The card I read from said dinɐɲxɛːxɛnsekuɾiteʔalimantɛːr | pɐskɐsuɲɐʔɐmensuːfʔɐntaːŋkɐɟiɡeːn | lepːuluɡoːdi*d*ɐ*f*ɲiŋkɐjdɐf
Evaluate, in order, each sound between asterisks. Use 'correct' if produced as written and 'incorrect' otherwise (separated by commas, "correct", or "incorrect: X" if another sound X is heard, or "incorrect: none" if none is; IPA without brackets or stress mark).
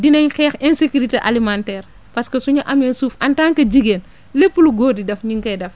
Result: correct, correct